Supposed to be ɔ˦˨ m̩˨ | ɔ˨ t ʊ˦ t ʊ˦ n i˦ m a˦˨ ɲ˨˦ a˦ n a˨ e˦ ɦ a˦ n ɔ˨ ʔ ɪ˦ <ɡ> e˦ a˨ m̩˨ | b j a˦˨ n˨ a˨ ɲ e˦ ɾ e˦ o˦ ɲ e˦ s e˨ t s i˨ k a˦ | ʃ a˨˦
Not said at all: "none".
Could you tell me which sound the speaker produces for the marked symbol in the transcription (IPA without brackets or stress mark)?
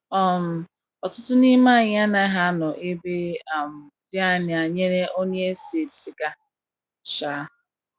b